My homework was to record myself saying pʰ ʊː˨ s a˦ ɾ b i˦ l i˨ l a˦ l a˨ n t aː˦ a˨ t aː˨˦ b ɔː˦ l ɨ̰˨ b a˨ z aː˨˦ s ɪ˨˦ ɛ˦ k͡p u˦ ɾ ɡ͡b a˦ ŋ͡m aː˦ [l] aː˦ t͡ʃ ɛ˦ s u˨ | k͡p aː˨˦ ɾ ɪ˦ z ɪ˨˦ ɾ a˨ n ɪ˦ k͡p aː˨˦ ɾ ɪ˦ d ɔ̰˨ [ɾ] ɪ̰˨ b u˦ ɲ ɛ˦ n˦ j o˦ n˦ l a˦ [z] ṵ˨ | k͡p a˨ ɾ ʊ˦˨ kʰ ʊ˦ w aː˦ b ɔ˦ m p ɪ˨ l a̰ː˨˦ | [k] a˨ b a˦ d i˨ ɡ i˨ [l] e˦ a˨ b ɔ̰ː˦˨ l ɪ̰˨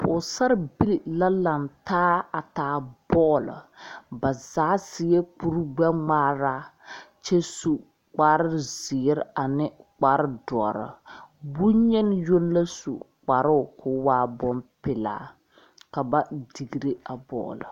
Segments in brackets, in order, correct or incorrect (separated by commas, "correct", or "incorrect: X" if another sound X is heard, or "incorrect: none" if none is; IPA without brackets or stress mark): incorrect: ɾ, correct, incorrect: s, correct, incorrect: ɾ